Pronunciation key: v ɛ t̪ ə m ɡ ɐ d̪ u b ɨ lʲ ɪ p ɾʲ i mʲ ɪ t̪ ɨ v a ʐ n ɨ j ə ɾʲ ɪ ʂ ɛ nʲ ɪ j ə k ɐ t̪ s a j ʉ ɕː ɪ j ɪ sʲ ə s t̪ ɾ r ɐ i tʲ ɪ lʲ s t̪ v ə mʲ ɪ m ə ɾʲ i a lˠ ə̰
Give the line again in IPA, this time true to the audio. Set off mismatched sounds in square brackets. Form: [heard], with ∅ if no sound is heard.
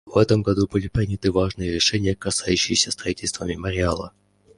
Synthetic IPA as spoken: v ɛ t̪ ə m ɡ ɐ d̪ u b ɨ lʲ ɪ p ɾʲ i [nʲ] ɪ t̪ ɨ v a ʐ n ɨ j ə ɾʲ ɪ ʂ ɛ nʲ ɪ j ə k ɐ [∅] s a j ʉ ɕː ɪ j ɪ sʲ ə s t̪ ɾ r ɐ i tʲ ɪ lʲ s t̪ v ə mʲ ɪ m ə ɾʲ [ɪ] a lˠ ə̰